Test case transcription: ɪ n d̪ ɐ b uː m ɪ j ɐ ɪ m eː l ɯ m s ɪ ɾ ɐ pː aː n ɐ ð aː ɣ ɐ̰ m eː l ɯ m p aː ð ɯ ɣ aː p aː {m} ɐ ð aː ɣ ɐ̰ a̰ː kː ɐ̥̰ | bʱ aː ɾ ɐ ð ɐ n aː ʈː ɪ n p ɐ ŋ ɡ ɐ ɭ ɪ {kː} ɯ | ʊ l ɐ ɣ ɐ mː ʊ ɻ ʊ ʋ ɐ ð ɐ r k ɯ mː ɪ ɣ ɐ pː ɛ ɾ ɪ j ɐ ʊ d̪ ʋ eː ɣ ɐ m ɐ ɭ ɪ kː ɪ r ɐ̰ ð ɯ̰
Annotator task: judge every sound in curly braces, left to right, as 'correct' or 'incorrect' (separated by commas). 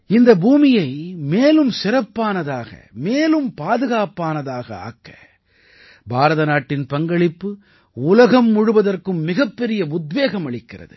incorrect, incorrect